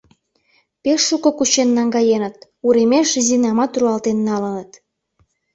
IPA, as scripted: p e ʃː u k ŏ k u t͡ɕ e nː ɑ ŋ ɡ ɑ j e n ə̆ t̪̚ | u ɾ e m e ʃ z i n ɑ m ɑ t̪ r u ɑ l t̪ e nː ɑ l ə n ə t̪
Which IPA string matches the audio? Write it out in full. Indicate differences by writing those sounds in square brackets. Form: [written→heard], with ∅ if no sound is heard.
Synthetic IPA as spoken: p e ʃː u k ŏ k u t͡ɕ e nː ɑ ŋ ɡ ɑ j e n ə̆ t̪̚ | u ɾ e m e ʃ z i n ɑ m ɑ t̪ r u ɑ l t̪ e nː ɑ l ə n ə t̪